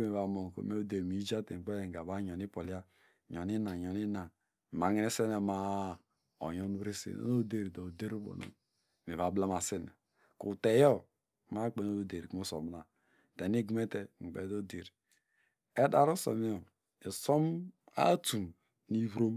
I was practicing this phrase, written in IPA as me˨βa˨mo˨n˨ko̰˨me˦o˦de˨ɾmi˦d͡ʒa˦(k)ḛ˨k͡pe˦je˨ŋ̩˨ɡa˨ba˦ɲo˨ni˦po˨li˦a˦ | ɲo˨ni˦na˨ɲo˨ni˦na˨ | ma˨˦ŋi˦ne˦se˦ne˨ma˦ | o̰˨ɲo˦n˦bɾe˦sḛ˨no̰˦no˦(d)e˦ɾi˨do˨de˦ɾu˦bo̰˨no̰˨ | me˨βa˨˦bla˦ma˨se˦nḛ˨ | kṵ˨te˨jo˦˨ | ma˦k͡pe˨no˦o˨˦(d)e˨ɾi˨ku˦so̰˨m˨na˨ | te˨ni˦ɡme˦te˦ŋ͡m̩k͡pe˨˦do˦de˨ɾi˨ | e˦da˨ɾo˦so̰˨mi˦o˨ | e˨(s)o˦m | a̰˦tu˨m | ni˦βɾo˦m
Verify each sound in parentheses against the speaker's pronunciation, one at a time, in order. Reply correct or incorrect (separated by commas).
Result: incorrect, correct, correct, correct